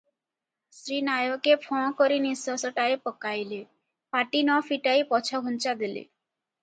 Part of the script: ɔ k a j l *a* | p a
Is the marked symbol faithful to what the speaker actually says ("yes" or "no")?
no